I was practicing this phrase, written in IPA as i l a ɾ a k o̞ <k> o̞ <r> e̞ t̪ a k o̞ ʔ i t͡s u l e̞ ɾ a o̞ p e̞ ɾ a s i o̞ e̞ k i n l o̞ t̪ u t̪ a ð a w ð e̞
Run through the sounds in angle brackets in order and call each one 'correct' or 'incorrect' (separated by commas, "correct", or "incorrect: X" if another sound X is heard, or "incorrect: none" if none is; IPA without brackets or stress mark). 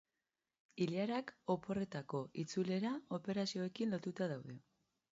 incorrect: p, correct